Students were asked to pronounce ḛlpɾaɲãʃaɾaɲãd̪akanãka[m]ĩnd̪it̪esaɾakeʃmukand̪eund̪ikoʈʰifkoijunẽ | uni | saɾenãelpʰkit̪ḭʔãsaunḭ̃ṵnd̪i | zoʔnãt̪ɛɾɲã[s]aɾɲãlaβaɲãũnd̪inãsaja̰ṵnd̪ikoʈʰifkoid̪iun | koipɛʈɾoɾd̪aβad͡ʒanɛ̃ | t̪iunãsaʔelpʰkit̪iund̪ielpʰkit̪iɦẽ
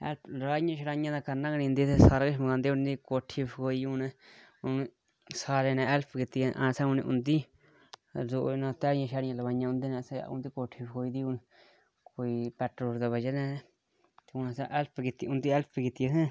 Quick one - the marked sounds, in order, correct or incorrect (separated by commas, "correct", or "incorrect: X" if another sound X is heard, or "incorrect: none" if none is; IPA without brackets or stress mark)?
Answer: incorrect: n, incorrect: ʃ